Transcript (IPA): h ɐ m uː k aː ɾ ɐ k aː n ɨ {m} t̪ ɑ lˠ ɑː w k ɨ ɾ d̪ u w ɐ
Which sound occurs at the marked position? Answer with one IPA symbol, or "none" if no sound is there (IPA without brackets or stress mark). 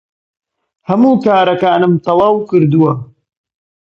m